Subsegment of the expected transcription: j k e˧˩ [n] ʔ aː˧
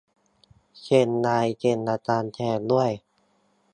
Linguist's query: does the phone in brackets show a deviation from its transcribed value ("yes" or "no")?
no